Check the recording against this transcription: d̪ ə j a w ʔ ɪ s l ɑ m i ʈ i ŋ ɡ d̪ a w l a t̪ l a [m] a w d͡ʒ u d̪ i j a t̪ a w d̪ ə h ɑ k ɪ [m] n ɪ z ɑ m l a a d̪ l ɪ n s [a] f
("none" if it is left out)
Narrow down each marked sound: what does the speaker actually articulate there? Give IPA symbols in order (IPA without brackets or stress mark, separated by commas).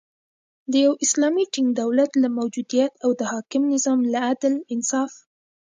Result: m, m, ɑ